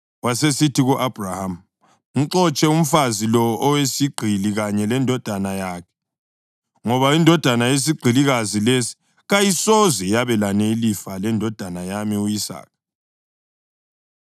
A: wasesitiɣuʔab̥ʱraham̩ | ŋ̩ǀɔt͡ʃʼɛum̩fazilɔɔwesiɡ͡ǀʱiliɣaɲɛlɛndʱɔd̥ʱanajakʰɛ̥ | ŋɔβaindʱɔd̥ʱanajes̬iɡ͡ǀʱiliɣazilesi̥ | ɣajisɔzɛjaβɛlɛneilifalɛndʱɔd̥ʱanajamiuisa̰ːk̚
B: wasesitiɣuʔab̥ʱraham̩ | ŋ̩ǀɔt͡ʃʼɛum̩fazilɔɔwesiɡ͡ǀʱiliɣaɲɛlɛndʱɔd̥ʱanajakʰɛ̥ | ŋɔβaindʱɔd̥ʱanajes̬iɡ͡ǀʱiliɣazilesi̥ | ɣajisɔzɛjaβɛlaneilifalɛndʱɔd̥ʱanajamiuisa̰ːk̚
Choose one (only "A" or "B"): B